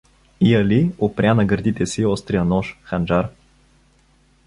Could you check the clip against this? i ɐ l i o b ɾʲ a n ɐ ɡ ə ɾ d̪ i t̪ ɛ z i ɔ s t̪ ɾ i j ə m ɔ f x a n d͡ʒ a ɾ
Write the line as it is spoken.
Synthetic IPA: i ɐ l i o p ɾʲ a n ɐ ɡ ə ɾ d̪ i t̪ ɛ s i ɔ s t̪ ɾ i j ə n ɔ ʃ x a n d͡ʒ a ɾ